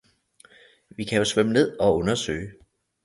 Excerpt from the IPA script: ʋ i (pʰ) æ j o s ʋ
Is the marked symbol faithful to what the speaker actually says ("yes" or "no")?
no